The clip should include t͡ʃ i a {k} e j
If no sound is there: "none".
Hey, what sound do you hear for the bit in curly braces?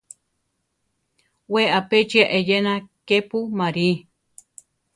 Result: ʔ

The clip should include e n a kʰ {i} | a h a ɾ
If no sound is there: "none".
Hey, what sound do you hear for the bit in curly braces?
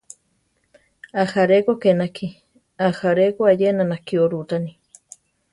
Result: i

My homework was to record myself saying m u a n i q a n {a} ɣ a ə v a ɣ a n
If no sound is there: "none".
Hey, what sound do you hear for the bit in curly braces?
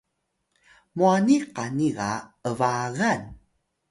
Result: i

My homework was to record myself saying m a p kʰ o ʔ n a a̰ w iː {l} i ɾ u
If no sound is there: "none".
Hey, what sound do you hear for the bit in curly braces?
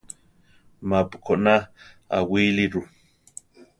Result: l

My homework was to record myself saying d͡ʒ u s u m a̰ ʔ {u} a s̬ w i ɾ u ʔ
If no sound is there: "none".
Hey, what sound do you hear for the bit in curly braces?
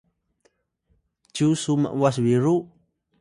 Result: w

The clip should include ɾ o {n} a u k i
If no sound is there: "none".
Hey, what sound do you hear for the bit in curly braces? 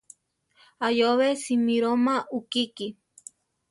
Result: m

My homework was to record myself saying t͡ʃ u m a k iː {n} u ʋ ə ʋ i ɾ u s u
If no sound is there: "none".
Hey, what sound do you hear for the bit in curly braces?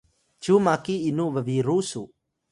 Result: n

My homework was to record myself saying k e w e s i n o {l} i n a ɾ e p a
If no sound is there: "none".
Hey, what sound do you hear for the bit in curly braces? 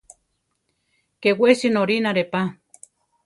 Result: ɾ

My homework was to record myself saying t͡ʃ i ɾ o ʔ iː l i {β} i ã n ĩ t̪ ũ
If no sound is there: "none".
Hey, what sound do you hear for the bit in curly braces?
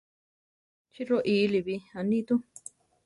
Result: β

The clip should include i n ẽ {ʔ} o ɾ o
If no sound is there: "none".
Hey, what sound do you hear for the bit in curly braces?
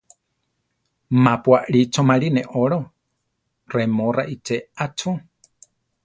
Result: ʔ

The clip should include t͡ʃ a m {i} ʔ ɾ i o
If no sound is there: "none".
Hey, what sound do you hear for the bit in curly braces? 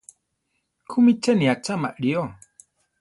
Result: a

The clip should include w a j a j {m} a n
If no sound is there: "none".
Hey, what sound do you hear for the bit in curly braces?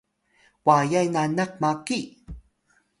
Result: n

